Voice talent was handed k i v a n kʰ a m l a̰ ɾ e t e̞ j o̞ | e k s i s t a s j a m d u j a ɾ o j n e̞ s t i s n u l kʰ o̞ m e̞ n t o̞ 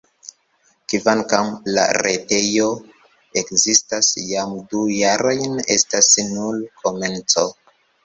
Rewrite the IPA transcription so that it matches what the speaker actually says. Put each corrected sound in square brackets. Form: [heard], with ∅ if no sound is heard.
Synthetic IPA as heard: k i v a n [k] a m l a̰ ɾ e t e̞ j o̞ | e k [z] i s t a s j a m d u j a ɾ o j n e̞ s t [a] s n u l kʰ o̞ m e̞ n [t͡s] o̞